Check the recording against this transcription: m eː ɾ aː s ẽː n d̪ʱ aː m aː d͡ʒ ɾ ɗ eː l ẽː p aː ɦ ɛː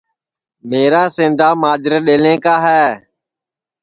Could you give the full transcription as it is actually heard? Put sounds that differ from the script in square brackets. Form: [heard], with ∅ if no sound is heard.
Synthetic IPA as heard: m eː ɾ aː s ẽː n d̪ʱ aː m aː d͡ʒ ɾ ɗ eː l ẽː [k] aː ɦ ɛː